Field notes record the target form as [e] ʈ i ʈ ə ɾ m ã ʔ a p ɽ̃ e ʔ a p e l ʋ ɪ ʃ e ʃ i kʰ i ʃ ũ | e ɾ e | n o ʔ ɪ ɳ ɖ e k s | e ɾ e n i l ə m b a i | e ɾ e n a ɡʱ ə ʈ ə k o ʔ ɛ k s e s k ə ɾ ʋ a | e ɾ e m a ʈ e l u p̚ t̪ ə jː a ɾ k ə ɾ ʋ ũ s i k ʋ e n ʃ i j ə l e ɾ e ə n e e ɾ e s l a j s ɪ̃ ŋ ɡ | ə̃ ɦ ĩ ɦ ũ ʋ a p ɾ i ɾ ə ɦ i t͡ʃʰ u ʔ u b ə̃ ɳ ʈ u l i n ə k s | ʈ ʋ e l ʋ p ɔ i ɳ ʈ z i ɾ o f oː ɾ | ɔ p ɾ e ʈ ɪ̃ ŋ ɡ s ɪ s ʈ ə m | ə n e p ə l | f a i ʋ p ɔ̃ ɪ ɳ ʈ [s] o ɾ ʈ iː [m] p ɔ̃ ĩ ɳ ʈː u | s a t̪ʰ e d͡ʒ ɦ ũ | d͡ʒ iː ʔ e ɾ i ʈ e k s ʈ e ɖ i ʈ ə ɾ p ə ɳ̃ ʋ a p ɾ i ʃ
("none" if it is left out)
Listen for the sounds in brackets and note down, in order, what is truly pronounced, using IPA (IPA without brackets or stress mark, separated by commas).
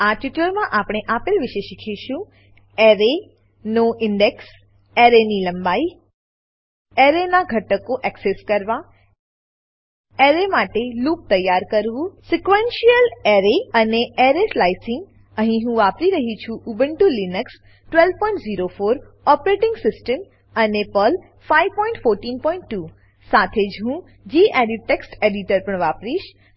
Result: a, f, n